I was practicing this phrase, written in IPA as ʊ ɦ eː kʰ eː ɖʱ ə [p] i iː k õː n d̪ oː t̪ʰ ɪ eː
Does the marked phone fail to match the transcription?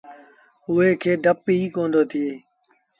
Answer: no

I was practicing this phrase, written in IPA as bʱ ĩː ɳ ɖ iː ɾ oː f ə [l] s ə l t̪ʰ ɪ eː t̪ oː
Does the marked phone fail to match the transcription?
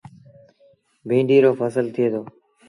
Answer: yes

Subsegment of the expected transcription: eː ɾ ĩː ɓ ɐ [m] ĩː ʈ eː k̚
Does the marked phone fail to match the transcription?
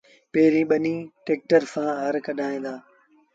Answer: yes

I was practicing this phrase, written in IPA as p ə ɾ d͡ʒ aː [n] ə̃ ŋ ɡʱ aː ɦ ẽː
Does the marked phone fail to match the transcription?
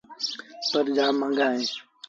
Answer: yes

